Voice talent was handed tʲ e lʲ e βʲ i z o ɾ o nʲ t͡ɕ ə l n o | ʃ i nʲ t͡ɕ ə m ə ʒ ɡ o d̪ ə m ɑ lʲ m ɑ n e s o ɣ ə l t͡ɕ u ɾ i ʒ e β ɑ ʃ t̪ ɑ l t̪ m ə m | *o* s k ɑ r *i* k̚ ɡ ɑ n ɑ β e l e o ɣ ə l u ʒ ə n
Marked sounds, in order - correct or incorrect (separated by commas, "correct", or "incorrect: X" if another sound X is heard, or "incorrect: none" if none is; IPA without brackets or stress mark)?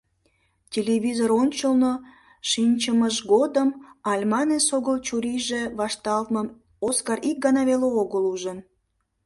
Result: correct, correct